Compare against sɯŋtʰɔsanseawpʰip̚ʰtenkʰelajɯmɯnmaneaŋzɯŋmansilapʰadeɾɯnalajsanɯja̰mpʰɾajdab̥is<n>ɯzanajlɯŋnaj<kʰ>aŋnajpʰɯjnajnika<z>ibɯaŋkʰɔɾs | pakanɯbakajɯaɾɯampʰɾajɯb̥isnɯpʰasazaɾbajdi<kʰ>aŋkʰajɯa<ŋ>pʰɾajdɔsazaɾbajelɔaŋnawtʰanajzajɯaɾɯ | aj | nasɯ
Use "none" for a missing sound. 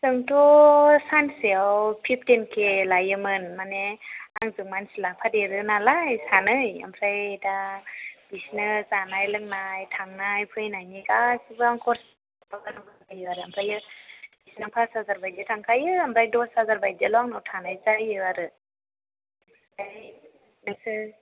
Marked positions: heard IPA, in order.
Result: n, tʰ, s, tʰ, m

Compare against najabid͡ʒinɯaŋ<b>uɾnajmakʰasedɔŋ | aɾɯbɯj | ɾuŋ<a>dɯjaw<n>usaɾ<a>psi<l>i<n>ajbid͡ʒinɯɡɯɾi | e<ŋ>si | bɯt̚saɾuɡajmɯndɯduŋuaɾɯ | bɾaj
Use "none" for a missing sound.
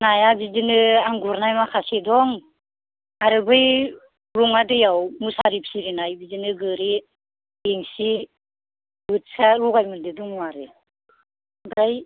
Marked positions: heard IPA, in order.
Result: ɡ, a, m, i, ɾ, n, ŋ

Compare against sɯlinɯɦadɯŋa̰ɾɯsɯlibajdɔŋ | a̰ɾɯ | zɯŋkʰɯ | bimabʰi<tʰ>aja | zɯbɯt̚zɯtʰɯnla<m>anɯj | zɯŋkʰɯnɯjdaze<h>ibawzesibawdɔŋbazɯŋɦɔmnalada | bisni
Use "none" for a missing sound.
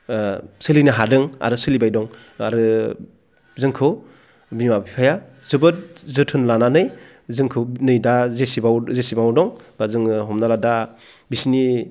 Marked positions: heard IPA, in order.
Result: pʰ, n, s

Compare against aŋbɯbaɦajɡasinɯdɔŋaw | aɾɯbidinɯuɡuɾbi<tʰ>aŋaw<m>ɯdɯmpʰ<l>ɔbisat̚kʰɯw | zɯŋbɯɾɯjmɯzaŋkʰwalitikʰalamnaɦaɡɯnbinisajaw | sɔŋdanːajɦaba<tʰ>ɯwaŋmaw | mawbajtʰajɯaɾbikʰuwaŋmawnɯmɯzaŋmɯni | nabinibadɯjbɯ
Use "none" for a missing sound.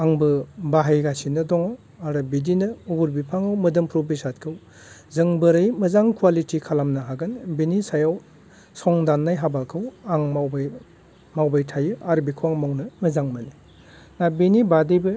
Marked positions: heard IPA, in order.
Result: pʰ, m, ɾ, kʰ

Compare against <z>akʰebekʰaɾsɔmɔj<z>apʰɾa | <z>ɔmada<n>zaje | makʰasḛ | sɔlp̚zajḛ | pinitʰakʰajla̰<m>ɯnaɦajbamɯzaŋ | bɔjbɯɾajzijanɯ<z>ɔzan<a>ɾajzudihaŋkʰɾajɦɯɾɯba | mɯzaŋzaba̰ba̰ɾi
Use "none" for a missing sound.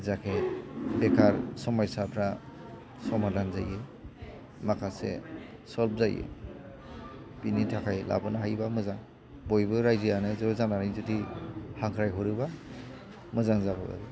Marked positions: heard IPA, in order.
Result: z, s, s, n, b, z, a

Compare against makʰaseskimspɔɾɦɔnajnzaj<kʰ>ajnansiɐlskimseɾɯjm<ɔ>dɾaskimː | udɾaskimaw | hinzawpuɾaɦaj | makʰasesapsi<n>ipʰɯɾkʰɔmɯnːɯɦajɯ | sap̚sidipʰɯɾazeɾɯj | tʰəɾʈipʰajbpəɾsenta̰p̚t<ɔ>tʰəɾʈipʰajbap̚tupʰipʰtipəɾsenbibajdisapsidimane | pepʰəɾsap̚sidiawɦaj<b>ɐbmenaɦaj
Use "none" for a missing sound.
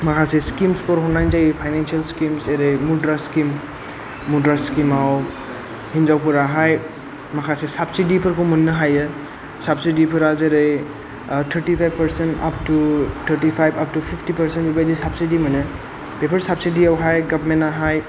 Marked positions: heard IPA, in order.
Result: pʰ, u, d, u, ɡ

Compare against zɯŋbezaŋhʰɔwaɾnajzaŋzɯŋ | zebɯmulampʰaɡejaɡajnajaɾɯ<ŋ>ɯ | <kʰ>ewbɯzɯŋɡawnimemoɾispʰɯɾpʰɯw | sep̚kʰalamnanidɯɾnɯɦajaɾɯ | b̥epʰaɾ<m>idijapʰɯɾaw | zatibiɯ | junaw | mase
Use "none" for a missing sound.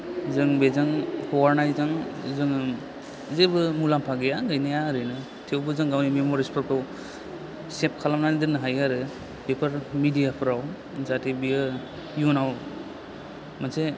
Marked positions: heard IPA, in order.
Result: n, tʰ, m

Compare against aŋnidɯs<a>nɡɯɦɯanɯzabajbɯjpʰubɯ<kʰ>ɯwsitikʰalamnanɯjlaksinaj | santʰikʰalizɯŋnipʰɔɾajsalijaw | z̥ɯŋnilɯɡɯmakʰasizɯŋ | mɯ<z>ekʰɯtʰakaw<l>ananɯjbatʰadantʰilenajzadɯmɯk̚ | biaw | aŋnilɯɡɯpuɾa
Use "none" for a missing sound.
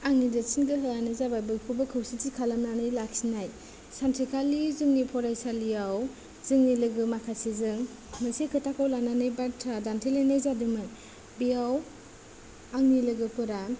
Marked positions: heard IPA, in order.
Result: i, kʰ, s, l

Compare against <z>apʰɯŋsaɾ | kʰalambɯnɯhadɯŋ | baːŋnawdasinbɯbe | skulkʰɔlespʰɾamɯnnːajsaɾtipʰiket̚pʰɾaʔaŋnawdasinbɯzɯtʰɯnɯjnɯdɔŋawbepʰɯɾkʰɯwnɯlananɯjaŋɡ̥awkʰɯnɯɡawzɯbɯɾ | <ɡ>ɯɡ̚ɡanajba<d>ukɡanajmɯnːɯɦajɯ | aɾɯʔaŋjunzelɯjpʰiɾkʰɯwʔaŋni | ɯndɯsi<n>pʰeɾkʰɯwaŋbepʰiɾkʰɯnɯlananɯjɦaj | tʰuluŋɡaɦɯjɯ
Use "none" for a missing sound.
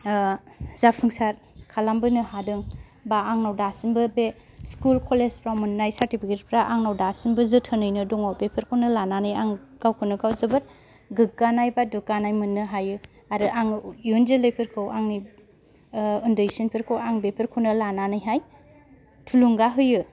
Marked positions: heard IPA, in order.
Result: z, ɡ, d, n

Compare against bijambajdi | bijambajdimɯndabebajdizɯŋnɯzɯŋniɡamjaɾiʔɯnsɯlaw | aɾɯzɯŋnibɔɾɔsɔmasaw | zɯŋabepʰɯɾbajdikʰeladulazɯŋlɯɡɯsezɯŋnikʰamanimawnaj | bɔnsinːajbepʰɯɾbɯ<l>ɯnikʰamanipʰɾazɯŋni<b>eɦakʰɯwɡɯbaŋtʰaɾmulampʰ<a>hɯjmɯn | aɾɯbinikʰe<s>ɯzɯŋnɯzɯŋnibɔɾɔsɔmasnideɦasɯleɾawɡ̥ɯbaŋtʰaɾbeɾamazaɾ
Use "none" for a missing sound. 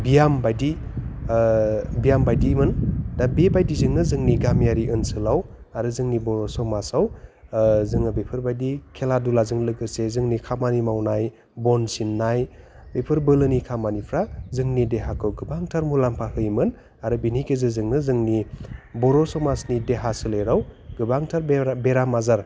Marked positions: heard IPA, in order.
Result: l, d, a, z

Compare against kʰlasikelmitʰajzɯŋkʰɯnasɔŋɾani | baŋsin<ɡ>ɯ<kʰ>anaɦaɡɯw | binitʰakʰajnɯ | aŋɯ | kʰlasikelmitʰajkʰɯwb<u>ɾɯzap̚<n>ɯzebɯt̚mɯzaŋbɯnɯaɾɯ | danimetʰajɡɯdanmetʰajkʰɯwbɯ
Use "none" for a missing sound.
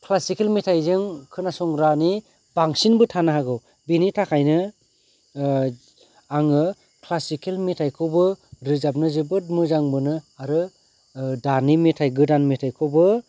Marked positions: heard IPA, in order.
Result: b, tʰ, ɯ, n

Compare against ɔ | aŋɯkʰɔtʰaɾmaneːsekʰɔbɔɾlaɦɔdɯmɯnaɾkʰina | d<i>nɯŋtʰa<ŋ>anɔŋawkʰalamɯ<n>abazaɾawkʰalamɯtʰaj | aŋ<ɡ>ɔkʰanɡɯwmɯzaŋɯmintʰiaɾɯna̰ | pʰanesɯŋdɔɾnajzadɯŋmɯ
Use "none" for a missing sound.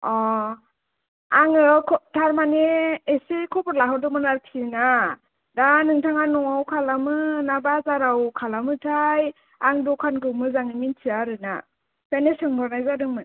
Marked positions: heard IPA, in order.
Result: a, ŋ, n, d

